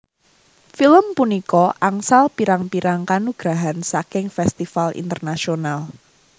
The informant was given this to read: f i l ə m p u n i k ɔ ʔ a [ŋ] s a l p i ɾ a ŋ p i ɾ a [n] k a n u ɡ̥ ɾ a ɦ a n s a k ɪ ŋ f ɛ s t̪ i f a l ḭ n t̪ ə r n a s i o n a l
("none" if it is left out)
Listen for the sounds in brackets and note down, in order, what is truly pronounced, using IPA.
ŋ, ŋ

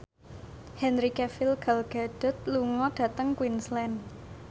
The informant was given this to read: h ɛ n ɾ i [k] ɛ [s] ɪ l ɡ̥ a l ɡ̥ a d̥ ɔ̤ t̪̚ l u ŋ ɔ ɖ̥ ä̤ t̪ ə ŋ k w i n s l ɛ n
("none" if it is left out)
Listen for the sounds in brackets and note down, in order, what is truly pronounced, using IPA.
k, f

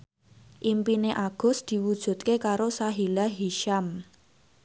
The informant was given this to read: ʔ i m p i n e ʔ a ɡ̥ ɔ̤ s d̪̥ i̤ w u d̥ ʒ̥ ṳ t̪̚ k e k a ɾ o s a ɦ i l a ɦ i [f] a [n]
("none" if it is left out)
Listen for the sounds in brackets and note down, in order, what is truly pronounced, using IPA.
ʃ, m

